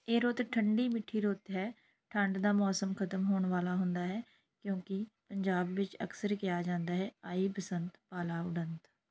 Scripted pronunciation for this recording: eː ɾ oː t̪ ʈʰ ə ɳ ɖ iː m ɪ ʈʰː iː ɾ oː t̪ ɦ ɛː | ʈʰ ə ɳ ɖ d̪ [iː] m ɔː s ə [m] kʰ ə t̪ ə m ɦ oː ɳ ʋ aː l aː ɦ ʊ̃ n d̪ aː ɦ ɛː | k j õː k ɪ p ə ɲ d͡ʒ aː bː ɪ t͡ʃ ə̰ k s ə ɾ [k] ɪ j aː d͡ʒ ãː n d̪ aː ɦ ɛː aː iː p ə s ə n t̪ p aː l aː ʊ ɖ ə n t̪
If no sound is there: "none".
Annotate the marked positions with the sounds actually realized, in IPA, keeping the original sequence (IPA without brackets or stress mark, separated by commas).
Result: aː, m, k